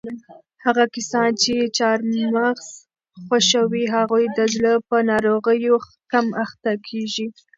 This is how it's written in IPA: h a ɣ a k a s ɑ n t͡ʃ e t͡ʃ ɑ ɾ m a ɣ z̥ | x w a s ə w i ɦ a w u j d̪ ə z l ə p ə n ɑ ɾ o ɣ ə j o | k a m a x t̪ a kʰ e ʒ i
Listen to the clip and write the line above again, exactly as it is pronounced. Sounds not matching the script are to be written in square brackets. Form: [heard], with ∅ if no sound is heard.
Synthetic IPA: h a ɣ a k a s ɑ n t͡ʃ e t͡ʃ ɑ ɾ m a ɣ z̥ | x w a [ʃ] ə w i ɦ a [ɣ] u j d̪ ə z l ə p ə n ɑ ɾ o ɣ ə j o | k a m a x t̪ a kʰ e ʒ i